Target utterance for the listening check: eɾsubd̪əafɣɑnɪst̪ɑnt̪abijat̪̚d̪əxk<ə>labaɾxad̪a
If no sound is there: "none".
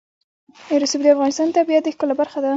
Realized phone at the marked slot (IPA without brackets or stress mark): ə